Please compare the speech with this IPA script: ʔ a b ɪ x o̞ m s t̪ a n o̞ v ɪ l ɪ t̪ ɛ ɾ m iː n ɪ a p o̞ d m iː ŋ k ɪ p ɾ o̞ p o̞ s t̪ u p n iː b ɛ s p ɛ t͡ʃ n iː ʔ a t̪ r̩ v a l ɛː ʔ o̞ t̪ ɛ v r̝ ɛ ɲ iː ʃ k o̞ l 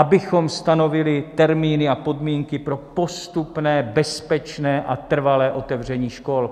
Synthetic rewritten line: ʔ a b ɪ x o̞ m s t̪ a n o̞ v ɪ l ɪ t̪ ɛ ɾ m iː n ɪ a p o̞ d m iː ŋ k ɪ p ɾ o̞ p o̞ s t̪ u p n ɛː b ɛ s p ɛ t͡ʃ n ɛː ʔ a t̪ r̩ v a l ɛː ʔ o̞ t̪ ɛ v r̝ ɛ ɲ iː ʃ k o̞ l